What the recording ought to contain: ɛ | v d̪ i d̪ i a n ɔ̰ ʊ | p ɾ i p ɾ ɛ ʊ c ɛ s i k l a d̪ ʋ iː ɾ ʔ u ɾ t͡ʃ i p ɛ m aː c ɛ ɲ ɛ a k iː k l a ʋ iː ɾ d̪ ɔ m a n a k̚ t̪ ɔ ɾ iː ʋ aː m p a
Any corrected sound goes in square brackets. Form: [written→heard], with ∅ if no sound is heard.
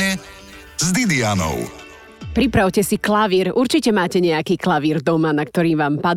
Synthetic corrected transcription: ɛ | [v→z] d̪ i d̪ i a n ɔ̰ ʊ | p ɾ i p ɾ [ɛ→a] ʊ c ɛ s i k l a [d̪→∅] ʋ iː ɾ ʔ u ɾ t͡ʃ i [p→c] ɛ m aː c ɛ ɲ ɛ a k iː k l a ʋ iː ɾ d̪ ɔ m a n a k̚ t̪ ɔ ɾ iː ʋ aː m p a